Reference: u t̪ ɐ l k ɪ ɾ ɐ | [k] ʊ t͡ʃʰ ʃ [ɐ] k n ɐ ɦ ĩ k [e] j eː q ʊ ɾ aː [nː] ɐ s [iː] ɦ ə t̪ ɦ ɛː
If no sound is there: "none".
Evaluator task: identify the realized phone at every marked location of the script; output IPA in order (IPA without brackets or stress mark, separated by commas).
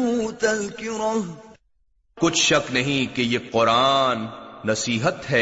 k, ɐ, e, nː, iː